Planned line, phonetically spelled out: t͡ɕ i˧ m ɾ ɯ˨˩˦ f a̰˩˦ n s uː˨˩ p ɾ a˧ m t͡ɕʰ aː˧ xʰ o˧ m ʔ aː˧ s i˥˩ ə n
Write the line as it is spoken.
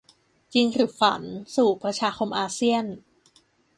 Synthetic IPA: t͡ɕ i˧ ŋ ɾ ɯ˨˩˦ f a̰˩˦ n s uː˨˩ p ɾ a˧ t͡ɕʰ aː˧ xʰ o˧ m ʔ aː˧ s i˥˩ ə n